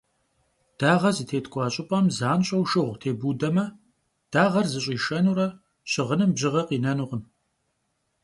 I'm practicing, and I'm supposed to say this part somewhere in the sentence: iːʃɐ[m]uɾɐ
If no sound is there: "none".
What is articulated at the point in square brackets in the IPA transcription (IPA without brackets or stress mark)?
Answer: n